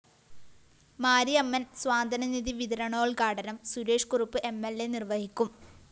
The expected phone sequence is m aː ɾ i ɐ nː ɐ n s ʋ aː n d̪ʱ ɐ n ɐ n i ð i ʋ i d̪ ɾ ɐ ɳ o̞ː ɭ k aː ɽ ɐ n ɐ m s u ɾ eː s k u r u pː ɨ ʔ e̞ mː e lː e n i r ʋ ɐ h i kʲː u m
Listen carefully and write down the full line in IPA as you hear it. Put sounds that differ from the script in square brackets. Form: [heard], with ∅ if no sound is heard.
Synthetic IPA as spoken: m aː ɾ i ɐ [mː] ɐ n s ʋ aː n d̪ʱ ɐ n ɐ n i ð i ʋ i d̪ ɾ ɐ ɳ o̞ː ɭ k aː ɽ ɐ n ɐ m s u ɾ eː [ʂ] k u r u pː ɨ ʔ e̞ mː e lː e n i r ʋ ɐ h i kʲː u m